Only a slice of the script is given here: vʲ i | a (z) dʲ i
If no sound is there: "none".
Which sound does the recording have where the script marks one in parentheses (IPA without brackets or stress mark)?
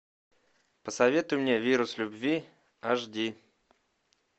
ʐ